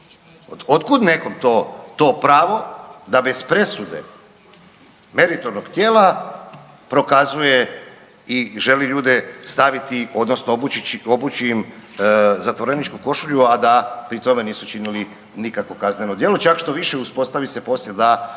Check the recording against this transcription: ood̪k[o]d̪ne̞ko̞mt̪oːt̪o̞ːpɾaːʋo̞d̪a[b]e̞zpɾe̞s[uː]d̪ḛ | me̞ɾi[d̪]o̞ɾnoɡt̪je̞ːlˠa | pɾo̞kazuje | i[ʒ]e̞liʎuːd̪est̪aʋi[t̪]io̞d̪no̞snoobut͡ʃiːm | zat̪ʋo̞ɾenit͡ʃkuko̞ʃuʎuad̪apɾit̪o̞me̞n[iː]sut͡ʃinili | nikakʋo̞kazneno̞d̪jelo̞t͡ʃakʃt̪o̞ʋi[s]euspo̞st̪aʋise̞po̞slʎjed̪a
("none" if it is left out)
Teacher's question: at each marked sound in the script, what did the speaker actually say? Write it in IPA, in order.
u, b, u, t̪, ʒ, t̪, iː, ʃ

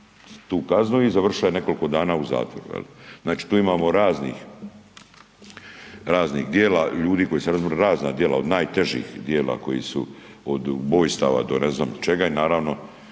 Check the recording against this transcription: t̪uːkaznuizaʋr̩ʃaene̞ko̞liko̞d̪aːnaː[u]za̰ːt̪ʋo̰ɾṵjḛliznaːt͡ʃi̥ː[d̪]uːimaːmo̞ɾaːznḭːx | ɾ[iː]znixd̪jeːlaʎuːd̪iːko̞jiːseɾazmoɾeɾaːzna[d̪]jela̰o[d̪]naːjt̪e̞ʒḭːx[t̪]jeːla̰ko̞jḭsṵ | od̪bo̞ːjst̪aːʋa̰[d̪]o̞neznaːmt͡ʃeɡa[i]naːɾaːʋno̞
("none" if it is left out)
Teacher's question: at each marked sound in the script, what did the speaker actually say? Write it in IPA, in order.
u, t̪, aː, d̪, d̪, d̪, d̪, i

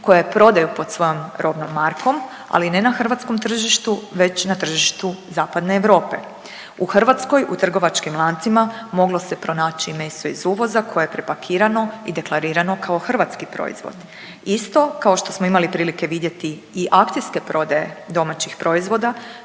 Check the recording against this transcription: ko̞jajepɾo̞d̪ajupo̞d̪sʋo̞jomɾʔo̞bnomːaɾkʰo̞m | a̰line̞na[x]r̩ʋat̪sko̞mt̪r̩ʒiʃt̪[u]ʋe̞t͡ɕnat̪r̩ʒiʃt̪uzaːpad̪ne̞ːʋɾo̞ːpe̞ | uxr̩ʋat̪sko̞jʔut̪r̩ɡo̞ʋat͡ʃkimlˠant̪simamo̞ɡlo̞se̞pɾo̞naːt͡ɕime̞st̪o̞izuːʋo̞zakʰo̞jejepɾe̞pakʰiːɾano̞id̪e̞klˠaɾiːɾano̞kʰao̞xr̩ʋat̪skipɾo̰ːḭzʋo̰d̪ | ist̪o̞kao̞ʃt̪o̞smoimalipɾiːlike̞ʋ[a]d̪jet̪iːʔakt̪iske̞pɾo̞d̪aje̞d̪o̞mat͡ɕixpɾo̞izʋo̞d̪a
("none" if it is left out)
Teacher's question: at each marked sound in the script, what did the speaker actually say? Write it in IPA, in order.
x, u, i

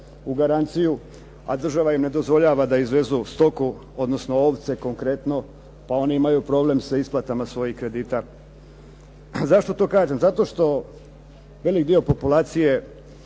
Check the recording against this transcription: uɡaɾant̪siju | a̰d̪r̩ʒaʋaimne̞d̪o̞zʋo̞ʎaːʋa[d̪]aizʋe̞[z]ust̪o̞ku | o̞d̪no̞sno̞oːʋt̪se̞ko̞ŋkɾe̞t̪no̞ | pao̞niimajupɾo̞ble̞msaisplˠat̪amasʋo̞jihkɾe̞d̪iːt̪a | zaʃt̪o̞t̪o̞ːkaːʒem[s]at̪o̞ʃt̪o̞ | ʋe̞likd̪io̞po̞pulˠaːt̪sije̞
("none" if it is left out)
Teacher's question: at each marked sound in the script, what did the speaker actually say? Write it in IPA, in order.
d̪, z, z

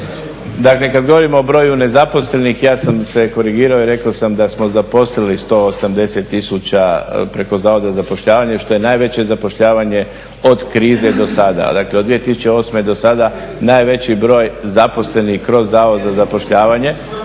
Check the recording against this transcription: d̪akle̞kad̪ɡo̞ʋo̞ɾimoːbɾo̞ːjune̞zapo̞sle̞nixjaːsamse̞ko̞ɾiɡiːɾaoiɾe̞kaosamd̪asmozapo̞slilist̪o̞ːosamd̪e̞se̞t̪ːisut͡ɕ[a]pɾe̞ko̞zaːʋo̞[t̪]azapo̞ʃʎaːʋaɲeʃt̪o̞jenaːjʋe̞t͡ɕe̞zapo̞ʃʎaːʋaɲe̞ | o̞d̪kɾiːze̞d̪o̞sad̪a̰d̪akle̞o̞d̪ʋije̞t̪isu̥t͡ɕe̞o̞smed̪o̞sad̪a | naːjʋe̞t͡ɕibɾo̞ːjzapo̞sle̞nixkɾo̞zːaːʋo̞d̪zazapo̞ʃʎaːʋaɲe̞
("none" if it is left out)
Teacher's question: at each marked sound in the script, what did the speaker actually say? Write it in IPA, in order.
a, d̪

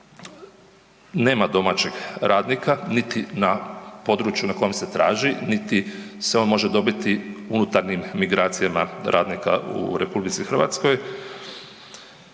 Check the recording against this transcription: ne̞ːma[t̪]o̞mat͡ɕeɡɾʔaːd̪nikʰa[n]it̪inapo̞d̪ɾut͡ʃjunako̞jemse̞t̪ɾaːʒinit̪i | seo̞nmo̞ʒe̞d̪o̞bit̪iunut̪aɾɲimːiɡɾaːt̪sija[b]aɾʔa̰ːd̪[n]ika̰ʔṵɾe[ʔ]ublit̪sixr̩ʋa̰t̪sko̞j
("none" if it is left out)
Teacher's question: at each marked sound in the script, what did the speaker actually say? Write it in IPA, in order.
d̪, n, m, n, p

